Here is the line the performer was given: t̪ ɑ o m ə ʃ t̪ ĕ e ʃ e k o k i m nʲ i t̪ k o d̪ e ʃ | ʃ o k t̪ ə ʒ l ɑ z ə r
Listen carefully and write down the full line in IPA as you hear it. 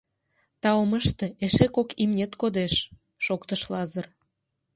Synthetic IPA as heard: t̪ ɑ o m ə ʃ t̪ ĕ e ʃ e k o k i m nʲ e t̪ k o d̪ e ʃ | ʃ o k t̪ ə ʃ l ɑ z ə r